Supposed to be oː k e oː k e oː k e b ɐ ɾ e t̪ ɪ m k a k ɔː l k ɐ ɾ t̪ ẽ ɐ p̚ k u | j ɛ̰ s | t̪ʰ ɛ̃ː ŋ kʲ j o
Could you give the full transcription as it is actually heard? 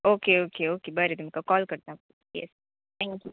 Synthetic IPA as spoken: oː k e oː k e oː k e b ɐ ɾ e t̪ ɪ m k a k ɔː l k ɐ ɾ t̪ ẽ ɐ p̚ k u | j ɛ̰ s | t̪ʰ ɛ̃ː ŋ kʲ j u